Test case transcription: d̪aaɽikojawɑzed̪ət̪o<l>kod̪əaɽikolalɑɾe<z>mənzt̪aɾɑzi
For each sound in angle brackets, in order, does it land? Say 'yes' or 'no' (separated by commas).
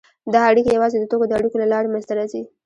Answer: no, no